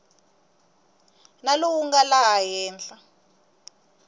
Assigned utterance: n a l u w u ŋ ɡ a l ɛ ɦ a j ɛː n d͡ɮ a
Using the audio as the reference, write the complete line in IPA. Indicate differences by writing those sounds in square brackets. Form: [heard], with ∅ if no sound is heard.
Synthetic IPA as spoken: n a l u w u ŋ ɡ a l [a] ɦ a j ɛː n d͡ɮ a